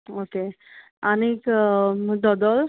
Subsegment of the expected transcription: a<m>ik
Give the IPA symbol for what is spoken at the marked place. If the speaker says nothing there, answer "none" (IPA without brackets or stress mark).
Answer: n